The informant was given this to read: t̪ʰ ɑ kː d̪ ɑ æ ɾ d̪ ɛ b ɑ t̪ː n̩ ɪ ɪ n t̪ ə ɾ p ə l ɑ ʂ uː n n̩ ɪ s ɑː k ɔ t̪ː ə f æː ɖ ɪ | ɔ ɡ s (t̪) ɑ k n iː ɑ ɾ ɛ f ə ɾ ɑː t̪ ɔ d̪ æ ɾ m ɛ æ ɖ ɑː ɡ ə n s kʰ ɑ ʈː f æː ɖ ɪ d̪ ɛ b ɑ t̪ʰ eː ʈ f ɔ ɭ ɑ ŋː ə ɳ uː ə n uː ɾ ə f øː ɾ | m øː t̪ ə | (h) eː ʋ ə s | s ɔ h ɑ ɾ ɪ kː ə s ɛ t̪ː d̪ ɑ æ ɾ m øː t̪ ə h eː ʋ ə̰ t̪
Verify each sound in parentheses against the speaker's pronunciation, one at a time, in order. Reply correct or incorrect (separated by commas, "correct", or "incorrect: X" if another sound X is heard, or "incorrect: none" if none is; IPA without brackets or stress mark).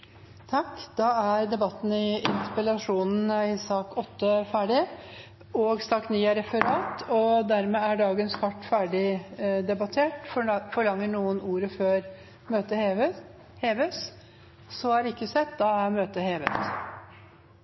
correct, correct